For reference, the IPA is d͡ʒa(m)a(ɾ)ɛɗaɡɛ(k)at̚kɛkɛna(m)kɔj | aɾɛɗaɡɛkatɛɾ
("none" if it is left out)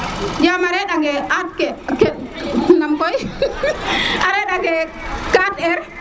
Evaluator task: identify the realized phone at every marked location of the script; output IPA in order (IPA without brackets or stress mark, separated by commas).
m, ɾ, none, m